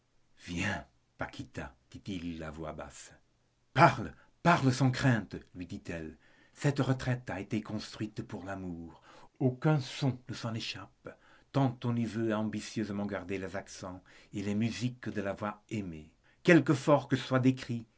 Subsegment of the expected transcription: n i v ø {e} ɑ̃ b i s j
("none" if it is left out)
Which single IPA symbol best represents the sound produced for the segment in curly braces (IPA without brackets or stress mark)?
a